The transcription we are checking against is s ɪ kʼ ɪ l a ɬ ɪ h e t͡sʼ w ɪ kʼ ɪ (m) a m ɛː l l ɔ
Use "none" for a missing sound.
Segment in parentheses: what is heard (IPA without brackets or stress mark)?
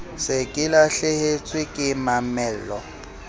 m